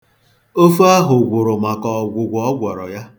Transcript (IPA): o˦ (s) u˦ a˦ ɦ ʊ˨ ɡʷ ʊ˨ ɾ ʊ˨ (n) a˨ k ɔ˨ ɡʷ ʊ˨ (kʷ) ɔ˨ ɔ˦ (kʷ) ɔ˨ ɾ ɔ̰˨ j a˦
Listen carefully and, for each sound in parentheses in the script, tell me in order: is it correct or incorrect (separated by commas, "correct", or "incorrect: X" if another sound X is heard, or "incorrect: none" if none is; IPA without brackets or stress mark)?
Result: incorrect: f, incorrect: m, incorrect: ɡʷ, incorrect: ɡʷ